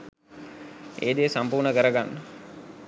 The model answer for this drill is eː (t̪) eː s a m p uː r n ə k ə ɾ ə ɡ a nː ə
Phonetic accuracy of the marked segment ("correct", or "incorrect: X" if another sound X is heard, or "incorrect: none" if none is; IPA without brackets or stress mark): incorrect: d̪